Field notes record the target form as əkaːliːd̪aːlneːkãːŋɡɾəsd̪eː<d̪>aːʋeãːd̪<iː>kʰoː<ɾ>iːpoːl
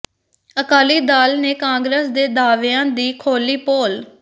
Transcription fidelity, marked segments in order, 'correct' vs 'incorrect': correct, correct, incorrect

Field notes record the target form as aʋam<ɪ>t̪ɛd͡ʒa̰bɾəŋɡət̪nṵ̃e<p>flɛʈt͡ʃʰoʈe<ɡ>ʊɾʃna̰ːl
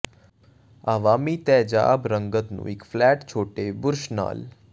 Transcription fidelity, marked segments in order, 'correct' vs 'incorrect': incorrect, incorrect, incorrect

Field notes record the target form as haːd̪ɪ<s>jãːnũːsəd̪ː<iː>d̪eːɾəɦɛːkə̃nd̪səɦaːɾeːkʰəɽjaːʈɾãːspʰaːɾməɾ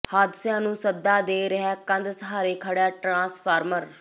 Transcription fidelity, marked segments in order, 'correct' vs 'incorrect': correct, incorrect

